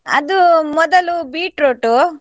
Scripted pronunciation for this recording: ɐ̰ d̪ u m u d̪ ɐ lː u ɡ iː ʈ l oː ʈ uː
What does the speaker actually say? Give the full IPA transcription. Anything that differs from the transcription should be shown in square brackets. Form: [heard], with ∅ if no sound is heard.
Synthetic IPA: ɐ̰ d̪ u m [ɔ] d̪ ɐ [l] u [b] iː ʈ [ɾ] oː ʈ [u]